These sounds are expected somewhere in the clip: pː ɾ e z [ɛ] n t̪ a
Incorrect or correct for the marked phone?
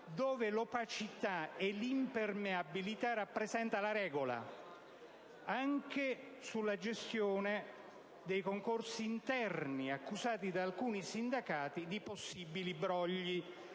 correct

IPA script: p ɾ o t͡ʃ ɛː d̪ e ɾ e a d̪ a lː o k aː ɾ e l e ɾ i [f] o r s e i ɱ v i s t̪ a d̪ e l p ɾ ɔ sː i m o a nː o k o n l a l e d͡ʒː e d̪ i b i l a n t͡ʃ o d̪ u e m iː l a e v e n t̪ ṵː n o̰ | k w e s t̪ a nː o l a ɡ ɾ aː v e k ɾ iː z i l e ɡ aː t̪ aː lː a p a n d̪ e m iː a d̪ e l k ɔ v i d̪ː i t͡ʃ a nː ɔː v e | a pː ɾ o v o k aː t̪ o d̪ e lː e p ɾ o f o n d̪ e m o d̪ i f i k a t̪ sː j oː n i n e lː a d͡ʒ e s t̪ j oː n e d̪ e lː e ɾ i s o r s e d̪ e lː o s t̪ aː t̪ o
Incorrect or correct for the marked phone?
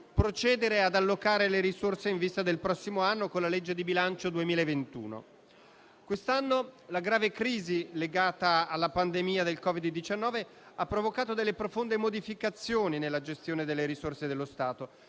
incorrect: s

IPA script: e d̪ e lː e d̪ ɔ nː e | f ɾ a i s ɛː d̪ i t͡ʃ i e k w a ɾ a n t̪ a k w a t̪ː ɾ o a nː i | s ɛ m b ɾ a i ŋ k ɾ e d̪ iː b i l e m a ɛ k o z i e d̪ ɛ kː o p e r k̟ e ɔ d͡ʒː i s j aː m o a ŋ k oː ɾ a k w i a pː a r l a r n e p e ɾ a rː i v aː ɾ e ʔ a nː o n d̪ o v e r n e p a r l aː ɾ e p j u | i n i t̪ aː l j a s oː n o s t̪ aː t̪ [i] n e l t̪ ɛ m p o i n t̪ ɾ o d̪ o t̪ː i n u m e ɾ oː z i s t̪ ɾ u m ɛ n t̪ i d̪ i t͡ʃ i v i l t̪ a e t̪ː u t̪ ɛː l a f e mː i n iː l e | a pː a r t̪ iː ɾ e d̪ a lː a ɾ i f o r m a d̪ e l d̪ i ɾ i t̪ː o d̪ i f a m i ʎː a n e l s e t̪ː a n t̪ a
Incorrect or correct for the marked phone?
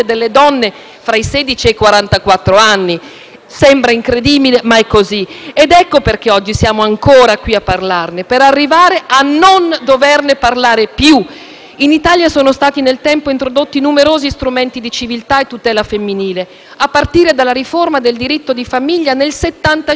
correct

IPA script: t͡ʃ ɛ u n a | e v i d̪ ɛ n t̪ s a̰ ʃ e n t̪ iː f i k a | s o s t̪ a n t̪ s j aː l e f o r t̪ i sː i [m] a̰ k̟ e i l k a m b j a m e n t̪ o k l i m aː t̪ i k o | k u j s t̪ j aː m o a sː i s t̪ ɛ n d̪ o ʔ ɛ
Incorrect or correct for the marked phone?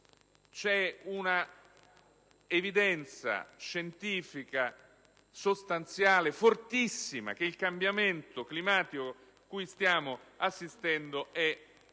correct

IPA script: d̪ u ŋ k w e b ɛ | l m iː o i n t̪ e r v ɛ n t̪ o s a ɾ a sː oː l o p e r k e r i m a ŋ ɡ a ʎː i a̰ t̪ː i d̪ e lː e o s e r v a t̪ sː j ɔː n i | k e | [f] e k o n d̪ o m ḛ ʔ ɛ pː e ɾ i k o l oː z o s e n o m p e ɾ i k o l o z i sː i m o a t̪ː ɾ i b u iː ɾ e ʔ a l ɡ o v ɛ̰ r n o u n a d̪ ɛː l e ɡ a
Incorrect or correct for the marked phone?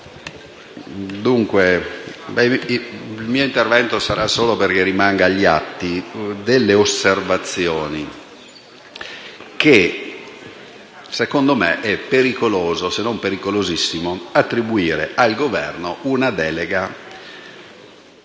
incorrect: s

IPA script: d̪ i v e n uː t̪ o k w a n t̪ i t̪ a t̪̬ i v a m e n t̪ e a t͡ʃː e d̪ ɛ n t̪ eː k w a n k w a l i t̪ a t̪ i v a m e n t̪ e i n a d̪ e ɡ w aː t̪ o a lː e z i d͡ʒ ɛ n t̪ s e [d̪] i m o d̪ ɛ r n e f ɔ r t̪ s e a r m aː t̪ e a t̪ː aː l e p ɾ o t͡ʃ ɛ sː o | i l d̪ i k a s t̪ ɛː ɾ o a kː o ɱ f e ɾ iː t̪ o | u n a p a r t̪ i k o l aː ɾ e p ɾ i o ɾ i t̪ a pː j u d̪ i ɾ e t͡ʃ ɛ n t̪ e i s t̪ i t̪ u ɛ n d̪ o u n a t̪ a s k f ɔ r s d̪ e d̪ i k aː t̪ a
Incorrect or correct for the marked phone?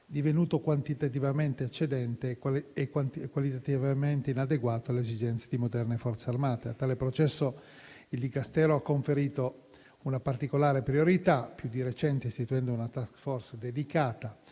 correct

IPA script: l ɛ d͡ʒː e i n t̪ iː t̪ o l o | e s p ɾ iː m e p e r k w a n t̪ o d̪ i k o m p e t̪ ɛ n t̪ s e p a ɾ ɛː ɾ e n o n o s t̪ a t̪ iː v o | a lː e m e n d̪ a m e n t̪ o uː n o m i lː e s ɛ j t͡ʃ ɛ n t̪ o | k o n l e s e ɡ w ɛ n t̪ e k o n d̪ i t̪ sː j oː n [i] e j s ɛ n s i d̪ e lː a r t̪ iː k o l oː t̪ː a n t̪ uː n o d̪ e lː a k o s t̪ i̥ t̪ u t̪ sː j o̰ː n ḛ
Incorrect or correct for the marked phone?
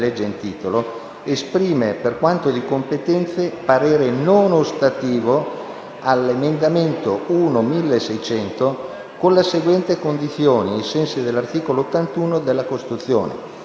correct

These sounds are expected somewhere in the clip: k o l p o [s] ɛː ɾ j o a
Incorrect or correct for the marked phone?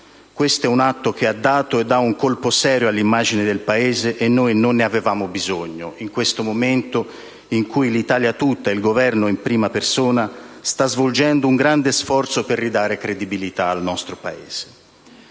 correct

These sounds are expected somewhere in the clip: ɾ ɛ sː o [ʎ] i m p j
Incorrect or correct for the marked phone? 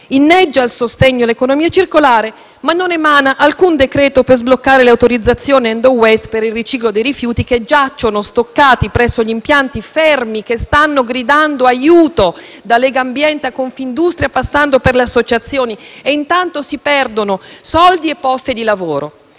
correct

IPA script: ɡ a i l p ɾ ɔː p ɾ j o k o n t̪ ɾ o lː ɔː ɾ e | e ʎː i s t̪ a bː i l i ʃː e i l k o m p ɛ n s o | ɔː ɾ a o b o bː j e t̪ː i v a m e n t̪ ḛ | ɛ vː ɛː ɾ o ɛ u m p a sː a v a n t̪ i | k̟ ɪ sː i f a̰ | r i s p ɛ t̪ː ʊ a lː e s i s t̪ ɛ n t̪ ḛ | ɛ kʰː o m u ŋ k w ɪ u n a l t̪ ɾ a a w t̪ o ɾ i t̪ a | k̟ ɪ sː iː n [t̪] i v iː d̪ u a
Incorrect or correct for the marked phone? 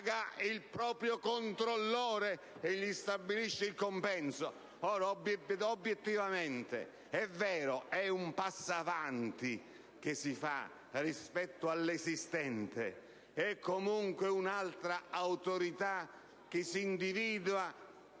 incorrect: d̪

